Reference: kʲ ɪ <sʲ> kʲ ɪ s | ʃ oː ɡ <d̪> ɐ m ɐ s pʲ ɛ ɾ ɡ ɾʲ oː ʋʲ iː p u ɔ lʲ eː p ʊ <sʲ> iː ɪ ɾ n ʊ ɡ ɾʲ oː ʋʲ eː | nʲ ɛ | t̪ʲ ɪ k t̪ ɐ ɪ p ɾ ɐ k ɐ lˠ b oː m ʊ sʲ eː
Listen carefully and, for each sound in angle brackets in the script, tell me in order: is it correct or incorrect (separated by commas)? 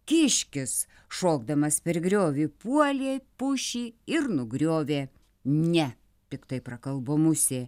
incorrect, correct, incorrect